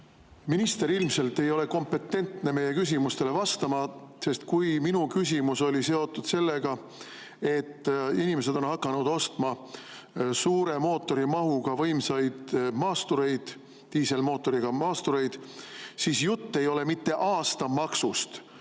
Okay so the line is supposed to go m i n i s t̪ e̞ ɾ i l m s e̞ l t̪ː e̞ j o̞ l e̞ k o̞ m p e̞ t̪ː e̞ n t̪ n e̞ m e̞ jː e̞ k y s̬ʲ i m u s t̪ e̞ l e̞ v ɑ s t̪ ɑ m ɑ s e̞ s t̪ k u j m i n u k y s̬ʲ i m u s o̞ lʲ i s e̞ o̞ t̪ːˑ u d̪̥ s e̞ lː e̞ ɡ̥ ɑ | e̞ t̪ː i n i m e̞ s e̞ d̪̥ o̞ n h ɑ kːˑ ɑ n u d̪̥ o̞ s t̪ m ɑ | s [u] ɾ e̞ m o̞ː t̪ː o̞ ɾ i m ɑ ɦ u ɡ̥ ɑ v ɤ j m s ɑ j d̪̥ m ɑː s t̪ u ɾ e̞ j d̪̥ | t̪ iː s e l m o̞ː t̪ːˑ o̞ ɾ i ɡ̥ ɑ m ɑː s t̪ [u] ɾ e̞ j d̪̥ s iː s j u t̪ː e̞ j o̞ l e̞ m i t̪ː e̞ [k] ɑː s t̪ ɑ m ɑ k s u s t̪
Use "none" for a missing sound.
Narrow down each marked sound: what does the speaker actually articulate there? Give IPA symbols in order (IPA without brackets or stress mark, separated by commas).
uː, u, ʔ